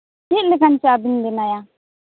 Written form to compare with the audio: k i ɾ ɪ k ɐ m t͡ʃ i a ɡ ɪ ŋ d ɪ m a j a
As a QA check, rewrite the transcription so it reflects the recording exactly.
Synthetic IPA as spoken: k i l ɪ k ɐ n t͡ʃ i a b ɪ n d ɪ n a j a